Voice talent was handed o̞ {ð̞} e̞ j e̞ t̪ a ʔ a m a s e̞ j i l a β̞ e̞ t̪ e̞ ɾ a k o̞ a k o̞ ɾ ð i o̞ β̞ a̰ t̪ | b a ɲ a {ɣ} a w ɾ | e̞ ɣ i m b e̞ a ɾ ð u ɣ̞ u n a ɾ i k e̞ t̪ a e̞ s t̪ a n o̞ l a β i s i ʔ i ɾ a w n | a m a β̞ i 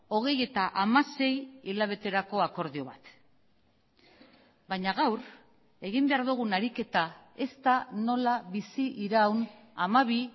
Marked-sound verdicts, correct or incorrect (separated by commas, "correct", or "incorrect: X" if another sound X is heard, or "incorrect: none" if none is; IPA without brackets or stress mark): incorrect: ɣ̞, correct